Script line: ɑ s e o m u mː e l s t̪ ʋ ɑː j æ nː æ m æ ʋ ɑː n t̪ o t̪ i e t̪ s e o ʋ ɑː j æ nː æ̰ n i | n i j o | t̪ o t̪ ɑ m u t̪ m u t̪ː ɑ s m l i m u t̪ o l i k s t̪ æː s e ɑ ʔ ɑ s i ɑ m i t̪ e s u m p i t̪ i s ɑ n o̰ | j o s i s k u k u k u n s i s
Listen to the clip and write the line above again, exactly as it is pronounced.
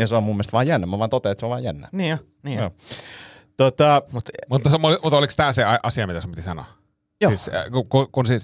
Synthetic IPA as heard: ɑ s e o m u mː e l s t̪ ʋ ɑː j æ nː æ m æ ʋ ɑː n t̪ o t̪ e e t̪ s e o ʋ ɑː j æ nː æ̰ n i | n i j o | t̪ o t̪ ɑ m u t̪ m u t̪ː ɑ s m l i m u t̪ o l i k s t̪ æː s e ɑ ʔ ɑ s i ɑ m i t̪ æ s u m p i t̪ i s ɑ n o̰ | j o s i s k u k u k u n s i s